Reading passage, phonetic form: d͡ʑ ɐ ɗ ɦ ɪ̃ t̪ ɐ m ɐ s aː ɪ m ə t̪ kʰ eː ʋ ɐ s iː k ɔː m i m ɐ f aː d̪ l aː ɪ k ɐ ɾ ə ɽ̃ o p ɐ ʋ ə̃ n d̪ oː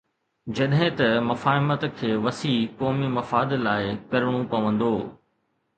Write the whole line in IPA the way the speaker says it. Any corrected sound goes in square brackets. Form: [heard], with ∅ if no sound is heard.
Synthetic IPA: d͡ʑ ɐ ɗ ɦ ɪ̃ t̪ ɐ m ɐ [f] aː ɪ m ə t̪ kʰ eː ʋ ɐ s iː k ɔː m i m ɐ f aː d̪ l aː ɪ k ɐ ɾ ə ɽ̃ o p ɐ ʋ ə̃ n d̪ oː